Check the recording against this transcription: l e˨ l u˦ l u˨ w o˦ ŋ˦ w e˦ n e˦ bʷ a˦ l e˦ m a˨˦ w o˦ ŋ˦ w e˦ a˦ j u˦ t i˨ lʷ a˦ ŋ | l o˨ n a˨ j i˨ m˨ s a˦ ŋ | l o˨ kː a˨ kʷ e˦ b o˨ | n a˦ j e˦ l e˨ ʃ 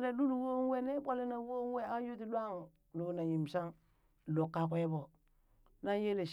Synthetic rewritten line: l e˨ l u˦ l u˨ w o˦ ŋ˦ w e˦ n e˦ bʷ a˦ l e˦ n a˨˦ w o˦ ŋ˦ w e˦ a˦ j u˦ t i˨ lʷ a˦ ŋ | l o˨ n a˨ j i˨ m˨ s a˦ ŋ | l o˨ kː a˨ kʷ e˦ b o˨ | n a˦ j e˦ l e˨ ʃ